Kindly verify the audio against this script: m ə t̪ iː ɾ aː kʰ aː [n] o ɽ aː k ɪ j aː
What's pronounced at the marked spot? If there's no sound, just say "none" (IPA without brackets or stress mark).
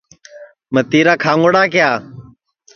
ŋ